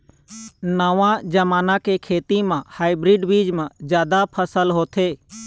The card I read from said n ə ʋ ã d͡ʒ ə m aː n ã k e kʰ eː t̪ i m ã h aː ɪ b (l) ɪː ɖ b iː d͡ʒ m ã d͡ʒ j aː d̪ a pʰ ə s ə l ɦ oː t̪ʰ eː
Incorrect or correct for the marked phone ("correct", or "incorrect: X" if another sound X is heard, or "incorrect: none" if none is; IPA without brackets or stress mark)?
incorrect: ɾ